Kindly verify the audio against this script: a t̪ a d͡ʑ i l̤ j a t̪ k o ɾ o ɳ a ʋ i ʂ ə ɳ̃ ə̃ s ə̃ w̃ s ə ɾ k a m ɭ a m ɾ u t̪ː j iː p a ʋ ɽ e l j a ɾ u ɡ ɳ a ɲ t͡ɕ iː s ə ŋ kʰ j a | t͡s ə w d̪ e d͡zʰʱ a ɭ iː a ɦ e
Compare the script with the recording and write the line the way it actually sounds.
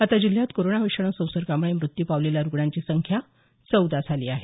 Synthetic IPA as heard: a t̪ a d͡ʑ i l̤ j a t̪ k o ɾ o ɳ a ʋ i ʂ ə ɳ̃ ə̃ s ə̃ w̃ s ə ɾ k a m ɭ e m ɾ u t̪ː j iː p a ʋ l e l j a ɾ u ɡ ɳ a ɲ t͡ɕ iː s ə ŋ kʰ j a | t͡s ə w d̪ a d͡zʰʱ a l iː a ɦ e